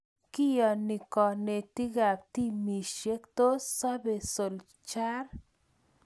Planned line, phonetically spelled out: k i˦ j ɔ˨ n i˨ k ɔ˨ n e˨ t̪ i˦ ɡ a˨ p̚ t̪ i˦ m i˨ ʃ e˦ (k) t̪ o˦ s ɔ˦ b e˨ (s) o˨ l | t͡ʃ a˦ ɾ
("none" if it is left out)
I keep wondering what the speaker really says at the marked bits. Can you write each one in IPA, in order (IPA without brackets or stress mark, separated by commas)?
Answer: k, s